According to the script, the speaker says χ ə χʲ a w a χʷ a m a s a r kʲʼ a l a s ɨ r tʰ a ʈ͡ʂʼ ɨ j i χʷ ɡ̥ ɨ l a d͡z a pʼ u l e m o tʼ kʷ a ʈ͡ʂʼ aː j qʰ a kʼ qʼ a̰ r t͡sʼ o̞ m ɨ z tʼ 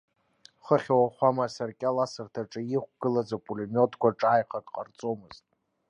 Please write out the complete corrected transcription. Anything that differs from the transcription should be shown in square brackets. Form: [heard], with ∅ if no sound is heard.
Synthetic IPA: χ ə χʲ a w a χʷ a m a s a r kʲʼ a l a s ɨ r tʰ a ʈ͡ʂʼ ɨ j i χʷ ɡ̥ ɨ l a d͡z a pʼ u l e m o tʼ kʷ a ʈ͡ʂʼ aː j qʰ a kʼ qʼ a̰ r t͡sʼ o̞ m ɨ z tʼ

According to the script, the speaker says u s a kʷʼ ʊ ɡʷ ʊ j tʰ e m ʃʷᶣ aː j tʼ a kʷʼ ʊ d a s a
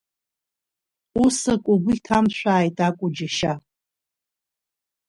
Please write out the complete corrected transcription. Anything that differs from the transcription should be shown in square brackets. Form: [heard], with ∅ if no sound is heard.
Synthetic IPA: u s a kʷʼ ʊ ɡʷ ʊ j tʰ [a] m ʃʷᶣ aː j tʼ a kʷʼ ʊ [d͡ʒ] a [ʃ] a

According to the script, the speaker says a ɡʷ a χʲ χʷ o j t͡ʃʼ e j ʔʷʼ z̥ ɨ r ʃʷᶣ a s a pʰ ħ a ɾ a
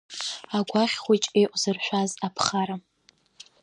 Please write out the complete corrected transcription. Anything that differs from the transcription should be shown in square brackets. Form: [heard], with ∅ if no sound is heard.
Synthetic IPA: a ɡʷ a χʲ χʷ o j t͡ʃʼ e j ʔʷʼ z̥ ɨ r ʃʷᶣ a [z] a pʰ [χ] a ɾ a

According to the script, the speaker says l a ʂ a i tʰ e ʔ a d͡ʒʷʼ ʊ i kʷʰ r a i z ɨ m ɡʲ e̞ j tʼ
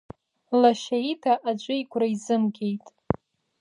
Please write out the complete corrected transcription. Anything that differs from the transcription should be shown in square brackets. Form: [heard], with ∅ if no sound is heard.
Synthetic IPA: l a [ʃ] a i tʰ [a] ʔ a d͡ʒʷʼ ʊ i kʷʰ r a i z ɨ m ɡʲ e̞ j tʼ

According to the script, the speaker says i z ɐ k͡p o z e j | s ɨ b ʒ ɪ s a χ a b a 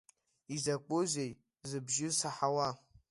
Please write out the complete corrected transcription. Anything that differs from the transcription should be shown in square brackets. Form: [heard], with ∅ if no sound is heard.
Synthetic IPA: i z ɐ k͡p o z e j | [z] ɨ b ʒ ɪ s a [ħ] a [w] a

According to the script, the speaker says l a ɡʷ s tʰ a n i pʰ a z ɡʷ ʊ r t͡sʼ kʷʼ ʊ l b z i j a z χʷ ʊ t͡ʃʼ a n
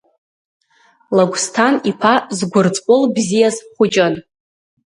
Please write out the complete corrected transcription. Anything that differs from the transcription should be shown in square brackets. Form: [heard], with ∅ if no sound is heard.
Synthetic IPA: l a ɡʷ s tʰ a n i pʰ a z ɡʷ ʊ r t͡sʼ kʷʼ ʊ l b z i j a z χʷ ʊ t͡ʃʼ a n

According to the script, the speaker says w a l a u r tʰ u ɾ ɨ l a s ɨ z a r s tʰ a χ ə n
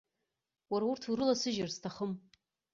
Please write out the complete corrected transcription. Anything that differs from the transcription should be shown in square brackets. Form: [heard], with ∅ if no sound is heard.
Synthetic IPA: w a [ɾ] a u r tʰ u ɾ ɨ l a s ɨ [ʒ] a r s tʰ a χ ə [m]

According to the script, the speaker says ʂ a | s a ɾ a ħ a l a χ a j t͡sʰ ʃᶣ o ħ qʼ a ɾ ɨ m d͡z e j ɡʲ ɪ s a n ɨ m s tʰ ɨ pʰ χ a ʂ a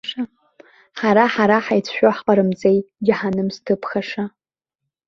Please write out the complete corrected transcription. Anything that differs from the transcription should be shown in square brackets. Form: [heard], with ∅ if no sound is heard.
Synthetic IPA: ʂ a | [ħ] a ɾ a ħ a [ɾ] a [ħ] a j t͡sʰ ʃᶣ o ħ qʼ a ɾ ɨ m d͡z e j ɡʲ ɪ [ħ] a n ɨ m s tʰ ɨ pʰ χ a ʂ a

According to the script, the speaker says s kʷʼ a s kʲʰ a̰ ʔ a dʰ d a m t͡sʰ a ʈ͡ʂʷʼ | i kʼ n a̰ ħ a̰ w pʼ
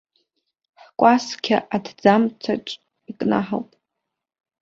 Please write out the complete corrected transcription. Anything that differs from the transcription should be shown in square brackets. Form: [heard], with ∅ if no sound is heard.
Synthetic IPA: [ħ] kʷʼ a s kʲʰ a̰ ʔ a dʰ [d͡z] a m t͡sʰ a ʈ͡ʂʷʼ | i kʼ n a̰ ħ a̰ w pʼ

